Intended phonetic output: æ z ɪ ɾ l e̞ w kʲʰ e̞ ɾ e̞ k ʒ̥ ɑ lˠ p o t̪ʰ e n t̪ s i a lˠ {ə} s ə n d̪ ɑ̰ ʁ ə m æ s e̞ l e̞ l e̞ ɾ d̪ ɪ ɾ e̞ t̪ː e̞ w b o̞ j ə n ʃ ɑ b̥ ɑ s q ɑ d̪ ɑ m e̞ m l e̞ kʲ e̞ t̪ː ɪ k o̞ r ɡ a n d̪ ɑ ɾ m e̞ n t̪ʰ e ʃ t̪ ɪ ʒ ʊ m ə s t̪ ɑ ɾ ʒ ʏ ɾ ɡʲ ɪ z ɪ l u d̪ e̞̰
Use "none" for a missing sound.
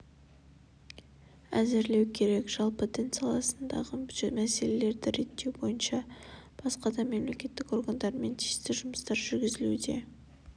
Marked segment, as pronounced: ɑ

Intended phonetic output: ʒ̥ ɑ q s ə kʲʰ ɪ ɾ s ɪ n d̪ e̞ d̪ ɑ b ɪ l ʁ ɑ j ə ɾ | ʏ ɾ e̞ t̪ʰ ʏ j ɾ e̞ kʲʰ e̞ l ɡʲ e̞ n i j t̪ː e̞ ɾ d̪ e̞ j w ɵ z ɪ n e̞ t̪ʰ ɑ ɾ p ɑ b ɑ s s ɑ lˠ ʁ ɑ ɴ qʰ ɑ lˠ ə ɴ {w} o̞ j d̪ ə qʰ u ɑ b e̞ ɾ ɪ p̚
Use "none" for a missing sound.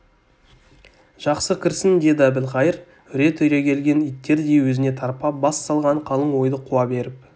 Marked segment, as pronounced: w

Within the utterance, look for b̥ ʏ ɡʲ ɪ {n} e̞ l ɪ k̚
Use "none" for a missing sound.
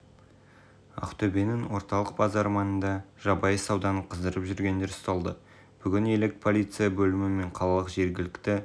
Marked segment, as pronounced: n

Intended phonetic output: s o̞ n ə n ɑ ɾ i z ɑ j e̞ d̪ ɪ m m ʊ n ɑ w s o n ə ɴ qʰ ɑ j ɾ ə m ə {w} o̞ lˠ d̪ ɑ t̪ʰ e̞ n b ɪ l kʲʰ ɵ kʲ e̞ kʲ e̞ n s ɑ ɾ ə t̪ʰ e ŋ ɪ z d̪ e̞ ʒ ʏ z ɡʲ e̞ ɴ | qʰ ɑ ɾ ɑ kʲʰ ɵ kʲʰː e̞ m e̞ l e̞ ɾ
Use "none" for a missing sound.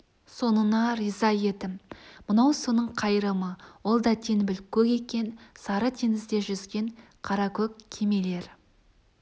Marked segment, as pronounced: w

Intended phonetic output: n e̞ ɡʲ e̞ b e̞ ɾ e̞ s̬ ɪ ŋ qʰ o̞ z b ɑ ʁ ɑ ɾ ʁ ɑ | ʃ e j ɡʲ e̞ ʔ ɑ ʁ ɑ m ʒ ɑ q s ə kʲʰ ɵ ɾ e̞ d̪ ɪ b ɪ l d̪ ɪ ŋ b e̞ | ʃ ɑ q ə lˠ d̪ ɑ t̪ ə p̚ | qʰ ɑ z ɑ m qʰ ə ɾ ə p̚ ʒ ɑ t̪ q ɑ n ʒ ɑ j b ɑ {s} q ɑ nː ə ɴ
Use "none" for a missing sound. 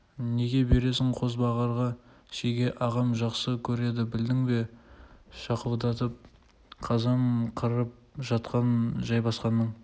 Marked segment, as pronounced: s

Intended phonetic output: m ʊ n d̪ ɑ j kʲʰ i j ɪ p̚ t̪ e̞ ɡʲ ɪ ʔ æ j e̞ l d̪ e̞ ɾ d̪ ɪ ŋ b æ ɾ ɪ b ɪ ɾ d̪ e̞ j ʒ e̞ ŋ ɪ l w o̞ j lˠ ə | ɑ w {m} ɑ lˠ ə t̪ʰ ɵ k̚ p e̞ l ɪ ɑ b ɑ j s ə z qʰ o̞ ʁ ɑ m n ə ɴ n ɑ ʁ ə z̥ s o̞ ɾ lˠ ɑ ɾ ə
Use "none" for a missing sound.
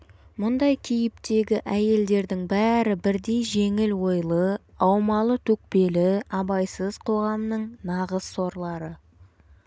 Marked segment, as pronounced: m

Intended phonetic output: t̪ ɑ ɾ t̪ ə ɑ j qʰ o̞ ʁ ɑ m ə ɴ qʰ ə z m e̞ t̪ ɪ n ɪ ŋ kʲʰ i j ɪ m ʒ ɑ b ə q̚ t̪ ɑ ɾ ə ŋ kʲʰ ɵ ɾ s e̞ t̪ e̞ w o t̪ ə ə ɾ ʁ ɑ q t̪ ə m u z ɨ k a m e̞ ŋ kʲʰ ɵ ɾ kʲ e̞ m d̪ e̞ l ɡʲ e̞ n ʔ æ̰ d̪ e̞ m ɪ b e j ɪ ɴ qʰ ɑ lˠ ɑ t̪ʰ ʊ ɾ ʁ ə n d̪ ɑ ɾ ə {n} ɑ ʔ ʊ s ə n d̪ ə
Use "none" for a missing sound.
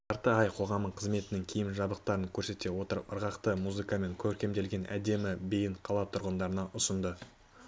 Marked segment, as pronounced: n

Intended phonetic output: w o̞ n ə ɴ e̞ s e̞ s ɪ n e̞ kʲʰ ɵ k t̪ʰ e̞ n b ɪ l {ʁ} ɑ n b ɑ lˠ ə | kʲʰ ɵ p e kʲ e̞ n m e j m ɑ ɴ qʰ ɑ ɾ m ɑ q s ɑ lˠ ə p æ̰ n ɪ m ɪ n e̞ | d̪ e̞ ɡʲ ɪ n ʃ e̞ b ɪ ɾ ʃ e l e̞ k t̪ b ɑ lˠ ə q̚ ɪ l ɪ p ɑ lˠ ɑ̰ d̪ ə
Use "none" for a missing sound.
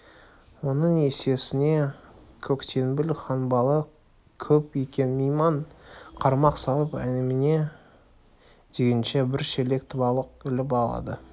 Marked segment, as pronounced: χ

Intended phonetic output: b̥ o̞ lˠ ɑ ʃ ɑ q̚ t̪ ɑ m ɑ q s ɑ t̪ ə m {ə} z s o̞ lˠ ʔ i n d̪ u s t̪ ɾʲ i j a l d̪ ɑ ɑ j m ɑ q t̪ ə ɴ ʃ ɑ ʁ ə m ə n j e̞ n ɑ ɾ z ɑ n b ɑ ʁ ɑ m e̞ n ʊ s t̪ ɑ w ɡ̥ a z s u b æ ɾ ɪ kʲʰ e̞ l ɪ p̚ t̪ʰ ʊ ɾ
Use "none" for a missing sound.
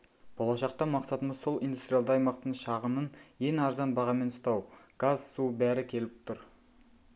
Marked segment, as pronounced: ə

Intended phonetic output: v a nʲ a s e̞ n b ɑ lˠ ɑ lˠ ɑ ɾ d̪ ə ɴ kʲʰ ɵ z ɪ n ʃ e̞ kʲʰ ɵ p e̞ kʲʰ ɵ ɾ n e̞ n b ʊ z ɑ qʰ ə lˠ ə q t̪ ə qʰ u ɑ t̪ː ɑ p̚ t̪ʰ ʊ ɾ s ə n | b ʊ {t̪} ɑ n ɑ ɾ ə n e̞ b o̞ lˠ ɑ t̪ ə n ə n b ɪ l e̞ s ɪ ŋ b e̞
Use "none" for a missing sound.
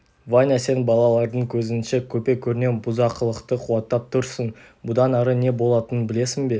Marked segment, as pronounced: d̪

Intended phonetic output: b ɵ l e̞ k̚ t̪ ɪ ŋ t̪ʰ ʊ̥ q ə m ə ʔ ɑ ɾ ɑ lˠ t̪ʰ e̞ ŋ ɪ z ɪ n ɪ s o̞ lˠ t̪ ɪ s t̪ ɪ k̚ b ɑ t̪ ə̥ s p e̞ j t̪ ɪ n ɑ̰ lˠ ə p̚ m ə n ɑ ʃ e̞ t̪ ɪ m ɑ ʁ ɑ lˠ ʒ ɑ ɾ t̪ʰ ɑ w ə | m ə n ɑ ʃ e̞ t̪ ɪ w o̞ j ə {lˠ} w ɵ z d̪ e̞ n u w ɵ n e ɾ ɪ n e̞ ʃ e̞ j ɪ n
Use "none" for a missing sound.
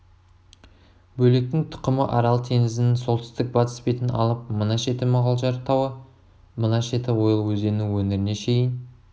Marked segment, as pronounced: lˠ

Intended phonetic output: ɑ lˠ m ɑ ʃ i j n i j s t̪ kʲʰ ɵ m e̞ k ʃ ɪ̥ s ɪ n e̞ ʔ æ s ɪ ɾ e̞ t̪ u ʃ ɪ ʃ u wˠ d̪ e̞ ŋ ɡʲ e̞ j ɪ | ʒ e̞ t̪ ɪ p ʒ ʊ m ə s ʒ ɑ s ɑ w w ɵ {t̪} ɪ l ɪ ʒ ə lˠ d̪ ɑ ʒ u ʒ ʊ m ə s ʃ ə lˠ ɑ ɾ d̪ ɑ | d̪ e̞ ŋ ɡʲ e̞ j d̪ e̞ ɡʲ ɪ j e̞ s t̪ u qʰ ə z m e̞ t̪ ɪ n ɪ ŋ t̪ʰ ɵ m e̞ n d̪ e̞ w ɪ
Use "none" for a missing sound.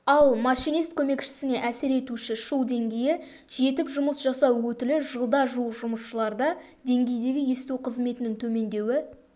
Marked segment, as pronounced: t̪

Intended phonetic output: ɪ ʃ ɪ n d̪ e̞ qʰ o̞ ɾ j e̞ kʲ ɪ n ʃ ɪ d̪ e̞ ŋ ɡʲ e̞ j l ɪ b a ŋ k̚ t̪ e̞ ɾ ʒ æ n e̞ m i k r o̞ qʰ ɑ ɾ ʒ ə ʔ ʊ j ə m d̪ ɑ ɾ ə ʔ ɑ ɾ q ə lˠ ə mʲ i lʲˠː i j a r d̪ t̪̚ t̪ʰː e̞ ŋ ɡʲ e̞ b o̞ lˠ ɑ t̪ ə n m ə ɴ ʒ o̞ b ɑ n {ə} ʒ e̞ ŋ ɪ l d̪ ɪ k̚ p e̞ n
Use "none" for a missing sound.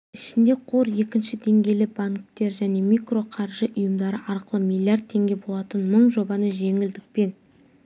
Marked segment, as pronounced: ə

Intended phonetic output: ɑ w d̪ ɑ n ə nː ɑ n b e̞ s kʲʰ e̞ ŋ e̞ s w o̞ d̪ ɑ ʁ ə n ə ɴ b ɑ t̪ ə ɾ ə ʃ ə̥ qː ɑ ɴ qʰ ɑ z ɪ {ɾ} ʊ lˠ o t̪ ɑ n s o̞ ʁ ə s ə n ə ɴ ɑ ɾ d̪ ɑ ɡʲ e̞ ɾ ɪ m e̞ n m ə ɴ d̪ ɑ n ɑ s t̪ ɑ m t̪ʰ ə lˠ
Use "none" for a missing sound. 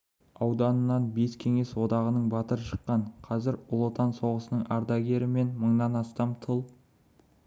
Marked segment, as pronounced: ɾ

